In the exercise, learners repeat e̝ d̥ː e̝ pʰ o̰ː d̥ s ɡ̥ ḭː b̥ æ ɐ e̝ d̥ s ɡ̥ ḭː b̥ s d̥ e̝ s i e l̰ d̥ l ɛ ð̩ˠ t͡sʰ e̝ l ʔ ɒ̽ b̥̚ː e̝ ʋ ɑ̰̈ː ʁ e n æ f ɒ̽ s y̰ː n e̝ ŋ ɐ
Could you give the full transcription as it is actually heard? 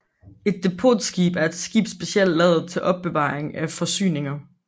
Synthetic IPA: e̝ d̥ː e̝ pʰ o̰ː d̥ s ɡ̥ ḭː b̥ æ ɐ e̝ d̥ s ɡ̥ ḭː b̥ s b̥ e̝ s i e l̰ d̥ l ɛ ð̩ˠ t͡sʰ e̝ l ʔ ɒ̽ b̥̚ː e̝ ʋ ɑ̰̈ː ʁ e ŋ æ f ɒ̽ s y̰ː n e̝ ŋ ɐ